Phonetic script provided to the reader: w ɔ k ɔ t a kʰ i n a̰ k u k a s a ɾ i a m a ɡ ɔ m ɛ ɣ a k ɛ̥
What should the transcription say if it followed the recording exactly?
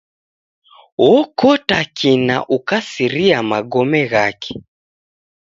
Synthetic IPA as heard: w ɔ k ɔ t a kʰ i n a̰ ʔ u k a s i ɾ i a m a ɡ ɔ m ɛ ɣ a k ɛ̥